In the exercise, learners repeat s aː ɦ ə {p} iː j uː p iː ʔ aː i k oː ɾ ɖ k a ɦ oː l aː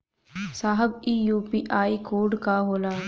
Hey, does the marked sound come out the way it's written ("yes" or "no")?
no